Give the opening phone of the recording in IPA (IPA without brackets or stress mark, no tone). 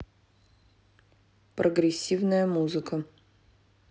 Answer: p